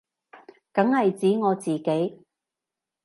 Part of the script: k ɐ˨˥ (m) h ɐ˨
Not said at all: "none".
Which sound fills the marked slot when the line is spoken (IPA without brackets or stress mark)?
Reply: ŋ